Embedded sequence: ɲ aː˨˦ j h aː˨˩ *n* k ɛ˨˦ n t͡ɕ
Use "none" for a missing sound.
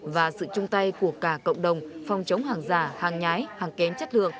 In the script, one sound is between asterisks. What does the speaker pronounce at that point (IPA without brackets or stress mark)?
ŋ